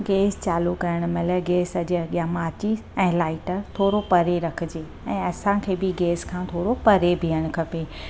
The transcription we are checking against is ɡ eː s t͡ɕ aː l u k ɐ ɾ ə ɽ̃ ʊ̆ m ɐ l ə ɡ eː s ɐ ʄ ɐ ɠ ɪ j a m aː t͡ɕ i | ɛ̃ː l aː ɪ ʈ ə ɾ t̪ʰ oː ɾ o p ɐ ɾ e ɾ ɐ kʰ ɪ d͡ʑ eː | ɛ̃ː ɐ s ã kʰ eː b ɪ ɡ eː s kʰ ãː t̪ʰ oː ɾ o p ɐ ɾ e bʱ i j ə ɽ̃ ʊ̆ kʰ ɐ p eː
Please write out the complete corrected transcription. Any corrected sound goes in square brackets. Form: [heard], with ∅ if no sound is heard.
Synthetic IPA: ɡ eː s t͡ɕ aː l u k ɐ ɾ ə ɽ̃ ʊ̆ m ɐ l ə ɡ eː s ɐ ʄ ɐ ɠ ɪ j a m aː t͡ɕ i | ɛ̃ː l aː ɪ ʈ ə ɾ t̪ʰ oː ɾ o p ɐ ɾ e ɾ ɐ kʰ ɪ d͡ʑ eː | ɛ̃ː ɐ s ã kʰ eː b ɪ ɡ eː s kʰ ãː t̪ʰ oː ɾ o p ɐ ɾ e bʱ i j ə ɽ̃ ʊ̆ kʰ ɐ p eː